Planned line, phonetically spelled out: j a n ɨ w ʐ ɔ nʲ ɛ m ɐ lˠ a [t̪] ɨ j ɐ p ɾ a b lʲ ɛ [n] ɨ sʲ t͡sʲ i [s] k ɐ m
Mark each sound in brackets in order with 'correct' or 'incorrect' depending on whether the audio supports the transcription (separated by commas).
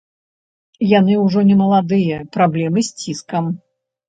incorrect, incorrect, correct